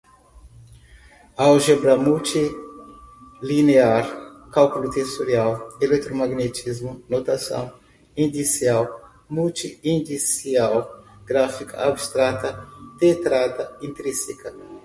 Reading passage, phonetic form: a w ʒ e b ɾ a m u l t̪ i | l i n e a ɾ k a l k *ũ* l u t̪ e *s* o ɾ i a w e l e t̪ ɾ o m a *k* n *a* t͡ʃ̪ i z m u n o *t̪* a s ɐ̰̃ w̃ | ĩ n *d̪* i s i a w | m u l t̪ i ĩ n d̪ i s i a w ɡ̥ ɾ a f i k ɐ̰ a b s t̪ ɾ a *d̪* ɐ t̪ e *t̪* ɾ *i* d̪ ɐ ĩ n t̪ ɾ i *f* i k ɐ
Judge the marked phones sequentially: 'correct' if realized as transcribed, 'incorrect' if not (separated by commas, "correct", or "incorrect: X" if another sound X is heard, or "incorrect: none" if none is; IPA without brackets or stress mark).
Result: incorrect: u, correct, incorrect: ɡ, incorrect: e, correct, correct, incorrect: t̪, correct, incorrect: a, incorrect: s